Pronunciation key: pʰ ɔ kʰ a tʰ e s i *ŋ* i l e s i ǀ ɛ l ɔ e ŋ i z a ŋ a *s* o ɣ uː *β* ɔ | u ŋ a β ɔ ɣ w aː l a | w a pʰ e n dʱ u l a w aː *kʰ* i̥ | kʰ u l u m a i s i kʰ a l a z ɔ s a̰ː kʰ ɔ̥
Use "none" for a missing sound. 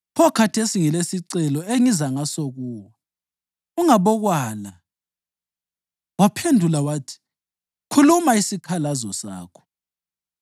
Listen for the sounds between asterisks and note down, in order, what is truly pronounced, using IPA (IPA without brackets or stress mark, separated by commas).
ŋ, s, w, tʰ